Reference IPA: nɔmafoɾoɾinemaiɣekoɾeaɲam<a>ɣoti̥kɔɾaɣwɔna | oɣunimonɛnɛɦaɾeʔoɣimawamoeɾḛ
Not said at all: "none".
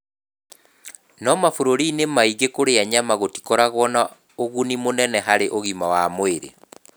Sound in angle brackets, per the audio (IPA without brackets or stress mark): a